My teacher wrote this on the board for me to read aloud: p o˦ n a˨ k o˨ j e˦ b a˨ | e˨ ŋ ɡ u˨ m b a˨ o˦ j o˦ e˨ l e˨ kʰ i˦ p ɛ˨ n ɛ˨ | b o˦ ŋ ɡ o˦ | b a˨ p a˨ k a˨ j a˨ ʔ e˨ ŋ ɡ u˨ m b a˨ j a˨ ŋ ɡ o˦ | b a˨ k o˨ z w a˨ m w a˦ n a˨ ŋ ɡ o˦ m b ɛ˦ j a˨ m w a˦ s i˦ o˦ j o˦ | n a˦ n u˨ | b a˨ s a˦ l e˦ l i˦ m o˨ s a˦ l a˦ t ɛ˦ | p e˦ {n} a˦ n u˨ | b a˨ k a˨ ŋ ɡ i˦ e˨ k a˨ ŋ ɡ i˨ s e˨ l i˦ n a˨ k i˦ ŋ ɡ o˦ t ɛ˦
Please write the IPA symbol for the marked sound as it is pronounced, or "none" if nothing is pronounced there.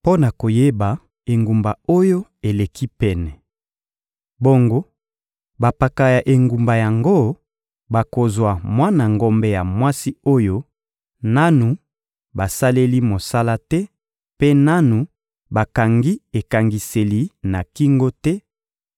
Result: n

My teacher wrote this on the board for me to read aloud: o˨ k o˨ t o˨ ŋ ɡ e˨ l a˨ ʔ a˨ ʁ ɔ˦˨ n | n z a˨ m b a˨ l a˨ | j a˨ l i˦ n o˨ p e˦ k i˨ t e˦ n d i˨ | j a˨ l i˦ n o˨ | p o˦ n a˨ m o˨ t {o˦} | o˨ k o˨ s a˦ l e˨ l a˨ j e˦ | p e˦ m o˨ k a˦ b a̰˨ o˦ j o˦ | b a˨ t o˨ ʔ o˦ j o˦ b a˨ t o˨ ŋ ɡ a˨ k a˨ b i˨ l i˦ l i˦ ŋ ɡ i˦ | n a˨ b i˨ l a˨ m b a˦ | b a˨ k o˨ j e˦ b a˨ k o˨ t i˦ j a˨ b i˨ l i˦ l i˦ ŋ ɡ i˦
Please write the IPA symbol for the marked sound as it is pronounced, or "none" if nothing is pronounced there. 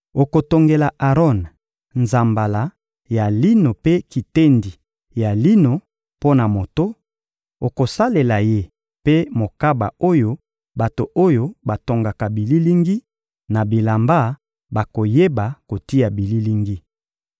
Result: o˦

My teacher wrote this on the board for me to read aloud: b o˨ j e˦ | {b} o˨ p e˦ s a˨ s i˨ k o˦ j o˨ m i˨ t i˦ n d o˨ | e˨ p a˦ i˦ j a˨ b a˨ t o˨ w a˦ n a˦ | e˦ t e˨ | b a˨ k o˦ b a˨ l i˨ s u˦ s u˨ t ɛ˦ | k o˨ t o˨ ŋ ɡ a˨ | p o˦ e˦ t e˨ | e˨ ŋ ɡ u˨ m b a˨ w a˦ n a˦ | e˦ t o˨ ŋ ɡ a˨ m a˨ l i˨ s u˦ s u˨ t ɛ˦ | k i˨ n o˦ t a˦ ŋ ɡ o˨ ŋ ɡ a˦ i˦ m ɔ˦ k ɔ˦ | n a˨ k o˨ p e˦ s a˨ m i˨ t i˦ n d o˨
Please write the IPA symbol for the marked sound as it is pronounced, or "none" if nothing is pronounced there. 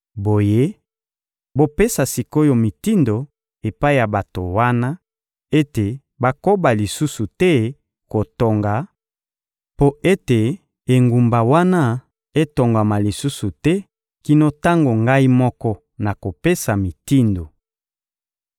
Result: b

